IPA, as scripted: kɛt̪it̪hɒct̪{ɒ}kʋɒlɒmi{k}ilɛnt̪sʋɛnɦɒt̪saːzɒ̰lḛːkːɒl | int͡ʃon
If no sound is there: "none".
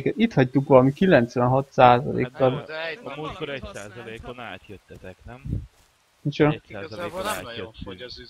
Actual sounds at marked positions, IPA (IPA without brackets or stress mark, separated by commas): u, k